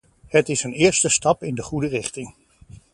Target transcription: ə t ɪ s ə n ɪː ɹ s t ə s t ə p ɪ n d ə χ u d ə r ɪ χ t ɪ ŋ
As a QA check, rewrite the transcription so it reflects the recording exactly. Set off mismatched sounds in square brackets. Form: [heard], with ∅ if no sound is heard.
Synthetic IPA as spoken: ə t ɪ s ə n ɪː ɹ s t ə s t [ɑ] p ɪ n d ə χ u d ə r ɪ χ t ɪ ŋ